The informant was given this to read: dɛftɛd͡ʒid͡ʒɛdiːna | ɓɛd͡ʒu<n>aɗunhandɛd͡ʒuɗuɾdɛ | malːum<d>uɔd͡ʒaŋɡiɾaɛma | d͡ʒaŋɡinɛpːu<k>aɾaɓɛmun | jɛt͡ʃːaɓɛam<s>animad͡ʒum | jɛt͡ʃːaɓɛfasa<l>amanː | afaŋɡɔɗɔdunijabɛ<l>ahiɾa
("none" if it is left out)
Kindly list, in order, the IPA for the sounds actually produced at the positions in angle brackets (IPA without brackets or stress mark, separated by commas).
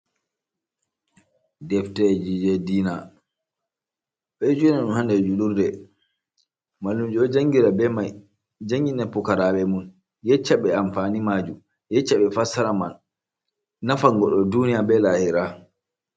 n, d͡ʒ, k, f, ɾ, l